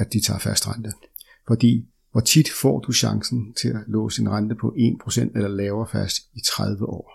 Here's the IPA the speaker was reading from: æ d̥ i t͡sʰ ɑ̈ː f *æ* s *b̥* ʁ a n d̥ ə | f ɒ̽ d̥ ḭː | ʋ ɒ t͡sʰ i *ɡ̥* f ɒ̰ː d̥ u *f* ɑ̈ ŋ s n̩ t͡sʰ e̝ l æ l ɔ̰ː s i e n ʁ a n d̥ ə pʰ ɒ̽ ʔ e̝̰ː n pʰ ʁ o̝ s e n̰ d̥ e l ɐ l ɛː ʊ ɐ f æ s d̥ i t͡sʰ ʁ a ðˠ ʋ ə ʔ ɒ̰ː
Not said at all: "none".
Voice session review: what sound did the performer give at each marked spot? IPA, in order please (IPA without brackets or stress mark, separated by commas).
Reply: æ, d̥, d̥, ɕ